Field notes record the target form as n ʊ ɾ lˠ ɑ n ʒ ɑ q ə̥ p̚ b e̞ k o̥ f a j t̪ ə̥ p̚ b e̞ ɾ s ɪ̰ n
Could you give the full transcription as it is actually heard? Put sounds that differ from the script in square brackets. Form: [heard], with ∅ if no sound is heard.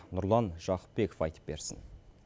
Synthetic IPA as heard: n ʊ ɾ lˠ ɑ n ʒ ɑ q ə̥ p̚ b e̞ k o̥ f [ɑ] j t̪ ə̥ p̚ b e̞ ɾ s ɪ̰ n